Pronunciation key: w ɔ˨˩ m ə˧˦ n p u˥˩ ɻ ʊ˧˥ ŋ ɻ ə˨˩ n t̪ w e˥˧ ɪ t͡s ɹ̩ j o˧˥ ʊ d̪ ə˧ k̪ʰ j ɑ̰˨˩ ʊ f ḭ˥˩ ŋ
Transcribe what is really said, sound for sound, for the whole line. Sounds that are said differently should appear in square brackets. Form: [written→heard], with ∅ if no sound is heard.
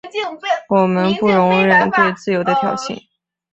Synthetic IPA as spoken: w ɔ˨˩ m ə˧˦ n p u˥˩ ɻ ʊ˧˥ ŋ ɻ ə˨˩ n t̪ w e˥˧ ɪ t͡s ɹ̩ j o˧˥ ʊ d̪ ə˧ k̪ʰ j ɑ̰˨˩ ʊ [f→ɕ] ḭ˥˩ ŋ